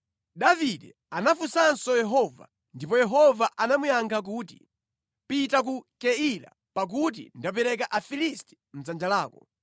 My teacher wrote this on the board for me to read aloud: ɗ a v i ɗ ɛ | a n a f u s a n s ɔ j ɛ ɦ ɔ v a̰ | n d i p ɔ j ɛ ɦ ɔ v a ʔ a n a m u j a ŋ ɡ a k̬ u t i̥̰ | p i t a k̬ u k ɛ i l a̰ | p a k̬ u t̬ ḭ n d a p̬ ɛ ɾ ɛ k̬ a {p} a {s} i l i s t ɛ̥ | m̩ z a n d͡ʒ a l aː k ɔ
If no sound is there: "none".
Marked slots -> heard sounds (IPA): ʔ, f

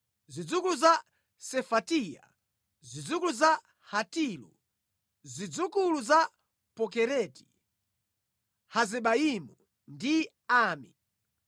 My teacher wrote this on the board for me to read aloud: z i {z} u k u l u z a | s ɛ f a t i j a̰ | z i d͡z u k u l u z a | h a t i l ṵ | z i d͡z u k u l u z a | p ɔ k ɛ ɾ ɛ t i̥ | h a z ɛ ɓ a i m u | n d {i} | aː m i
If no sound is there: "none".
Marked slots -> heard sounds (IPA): d͡z, i

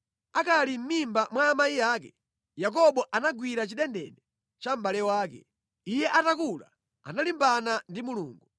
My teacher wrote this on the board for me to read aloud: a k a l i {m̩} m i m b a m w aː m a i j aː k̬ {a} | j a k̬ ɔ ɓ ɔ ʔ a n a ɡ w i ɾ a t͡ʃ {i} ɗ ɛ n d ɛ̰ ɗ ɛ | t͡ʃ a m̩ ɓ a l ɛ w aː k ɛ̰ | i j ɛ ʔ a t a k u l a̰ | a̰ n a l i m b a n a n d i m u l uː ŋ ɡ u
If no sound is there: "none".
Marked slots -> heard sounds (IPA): m̩, ɛ, i

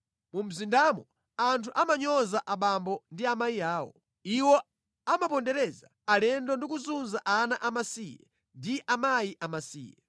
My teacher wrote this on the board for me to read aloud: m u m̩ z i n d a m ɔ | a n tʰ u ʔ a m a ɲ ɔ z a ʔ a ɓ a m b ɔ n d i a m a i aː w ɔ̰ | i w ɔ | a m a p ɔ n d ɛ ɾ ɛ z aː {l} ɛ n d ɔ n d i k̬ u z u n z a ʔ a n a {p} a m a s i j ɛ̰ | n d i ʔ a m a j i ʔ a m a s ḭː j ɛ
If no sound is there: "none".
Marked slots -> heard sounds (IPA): l, ʔ

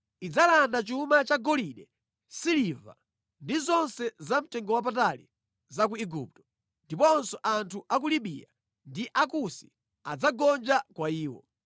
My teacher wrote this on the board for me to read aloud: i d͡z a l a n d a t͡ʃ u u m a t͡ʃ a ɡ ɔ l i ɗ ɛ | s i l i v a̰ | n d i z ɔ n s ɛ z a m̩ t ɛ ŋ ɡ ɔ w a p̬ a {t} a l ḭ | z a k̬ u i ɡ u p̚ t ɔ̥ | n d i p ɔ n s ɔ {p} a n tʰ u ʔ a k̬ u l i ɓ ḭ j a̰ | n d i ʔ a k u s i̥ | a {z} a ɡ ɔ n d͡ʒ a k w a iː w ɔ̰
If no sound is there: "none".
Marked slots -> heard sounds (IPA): t, ʔ, d͡z

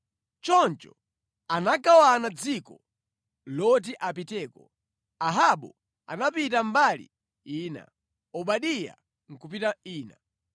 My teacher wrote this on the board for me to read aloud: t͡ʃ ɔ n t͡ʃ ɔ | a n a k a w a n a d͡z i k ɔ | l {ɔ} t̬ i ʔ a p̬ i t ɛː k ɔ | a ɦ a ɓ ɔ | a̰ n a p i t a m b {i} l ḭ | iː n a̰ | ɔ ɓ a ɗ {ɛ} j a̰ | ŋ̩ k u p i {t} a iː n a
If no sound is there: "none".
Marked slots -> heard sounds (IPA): ɔ, a, i, t

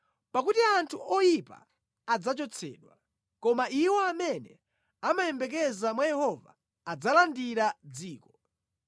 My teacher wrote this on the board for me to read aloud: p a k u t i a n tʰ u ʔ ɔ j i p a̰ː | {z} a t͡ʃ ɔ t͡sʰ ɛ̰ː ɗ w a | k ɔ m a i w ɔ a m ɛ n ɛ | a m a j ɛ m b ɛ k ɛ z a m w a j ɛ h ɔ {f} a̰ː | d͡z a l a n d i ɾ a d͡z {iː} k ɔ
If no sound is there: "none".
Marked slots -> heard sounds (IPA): d͡z, v, iː

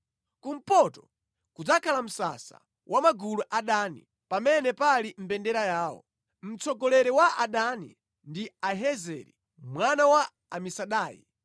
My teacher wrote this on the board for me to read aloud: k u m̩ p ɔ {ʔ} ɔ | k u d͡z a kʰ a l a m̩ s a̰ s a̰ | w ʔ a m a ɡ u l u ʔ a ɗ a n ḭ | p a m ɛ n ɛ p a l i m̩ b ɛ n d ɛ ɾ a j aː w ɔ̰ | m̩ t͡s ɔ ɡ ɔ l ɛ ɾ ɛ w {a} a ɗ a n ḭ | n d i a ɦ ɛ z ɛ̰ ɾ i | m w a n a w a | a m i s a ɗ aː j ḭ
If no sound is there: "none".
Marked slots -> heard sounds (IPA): t, a

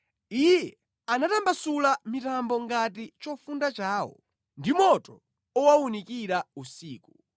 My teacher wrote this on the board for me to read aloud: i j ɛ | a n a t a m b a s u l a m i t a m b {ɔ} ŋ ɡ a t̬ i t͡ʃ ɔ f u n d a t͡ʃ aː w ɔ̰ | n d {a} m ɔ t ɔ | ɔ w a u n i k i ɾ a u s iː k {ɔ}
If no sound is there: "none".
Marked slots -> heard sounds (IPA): ɔ, i, u

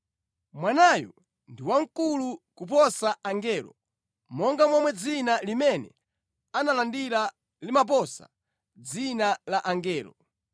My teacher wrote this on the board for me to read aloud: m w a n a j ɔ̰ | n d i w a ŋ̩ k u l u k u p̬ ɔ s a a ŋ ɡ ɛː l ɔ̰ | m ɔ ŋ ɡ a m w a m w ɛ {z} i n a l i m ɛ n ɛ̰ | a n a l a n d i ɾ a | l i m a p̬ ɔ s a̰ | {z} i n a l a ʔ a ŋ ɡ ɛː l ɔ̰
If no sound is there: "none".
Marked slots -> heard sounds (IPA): d͡z, d͡z

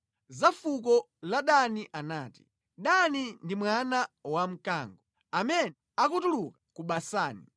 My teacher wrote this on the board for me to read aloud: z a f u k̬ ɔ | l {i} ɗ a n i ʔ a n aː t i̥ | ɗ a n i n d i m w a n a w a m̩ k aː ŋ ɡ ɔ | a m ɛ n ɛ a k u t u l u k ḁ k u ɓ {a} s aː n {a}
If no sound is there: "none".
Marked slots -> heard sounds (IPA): a, a, i

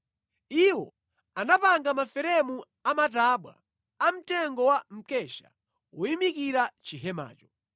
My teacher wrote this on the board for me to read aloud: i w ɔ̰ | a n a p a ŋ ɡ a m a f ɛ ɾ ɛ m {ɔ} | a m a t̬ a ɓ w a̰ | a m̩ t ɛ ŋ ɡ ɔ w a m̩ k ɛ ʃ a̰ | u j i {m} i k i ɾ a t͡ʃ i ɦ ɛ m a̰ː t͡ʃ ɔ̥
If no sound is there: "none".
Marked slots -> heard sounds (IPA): u, m

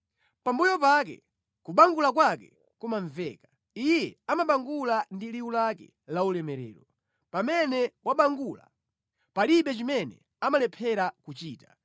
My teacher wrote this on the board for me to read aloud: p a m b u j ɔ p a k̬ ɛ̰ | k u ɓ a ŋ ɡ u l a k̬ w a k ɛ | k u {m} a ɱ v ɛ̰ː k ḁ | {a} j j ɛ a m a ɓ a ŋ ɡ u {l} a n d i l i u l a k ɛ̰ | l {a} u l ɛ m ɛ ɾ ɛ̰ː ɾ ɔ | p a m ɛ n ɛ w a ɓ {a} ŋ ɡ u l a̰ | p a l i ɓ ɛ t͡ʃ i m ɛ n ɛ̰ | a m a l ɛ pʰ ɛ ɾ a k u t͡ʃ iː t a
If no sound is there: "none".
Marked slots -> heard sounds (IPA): m, i, l, a, a

